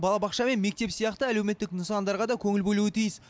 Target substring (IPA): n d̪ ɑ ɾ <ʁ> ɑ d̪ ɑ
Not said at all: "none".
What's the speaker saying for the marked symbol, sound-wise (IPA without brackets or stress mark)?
ʁ